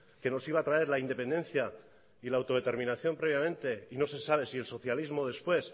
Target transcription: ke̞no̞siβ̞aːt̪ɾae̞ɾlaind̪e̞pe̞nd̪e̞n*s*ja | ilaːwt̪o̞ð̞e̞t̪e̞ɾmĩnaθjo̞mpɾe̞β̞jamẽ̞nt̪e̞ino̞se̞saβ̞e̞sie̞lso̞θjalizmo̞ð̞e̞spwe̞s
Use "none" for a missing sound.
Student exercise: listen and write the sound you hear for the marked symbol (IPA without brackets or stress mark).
θ